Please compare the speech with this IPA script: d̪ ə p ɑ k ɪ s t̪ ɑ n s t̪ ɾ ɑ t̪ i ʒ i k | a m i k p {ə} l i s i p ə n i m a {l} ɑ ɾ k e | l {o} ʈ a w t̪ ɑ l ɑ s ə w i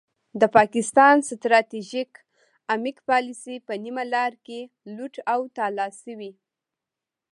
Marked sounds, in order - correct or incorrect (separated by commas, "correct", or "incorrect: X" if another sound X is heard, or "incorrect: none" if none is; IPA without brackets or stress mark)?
incorrect: ɑ, correct, incorrect: u